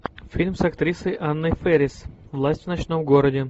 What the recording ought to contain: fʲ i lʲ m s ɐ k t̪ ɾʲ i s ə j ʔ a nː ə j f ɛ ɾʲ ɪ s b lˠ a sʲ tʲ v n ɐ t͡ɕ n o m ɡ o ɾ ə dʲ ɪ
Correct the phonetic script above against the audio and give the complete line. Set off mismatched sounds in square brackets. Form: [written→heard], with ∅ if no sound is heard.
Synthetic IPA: fʲ i lʲ m s ɐ k t̪ ɾʲ i s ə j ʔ a nː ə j f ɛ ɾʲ ɪ s [b→v] lˠ a sʲ tʲ v n ɐ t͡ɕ n o m ɡ o ɾ ə dʲ ɪ